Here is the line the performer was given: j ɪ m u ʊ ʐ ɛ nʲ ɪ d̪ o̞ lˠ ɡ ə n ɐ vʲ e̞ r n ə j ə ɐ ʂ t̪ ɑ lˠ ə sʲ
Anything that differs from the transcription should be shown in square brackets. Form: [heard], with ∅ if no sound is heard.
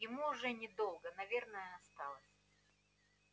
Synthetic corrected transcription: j ɪ m u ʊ ʐ ɛ nʲ ɪ d̪ o̞ lˠ ɡ ə n ɐ vʲ e̞ r n ə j ə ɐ [s] t̪ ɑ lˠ ə sʲ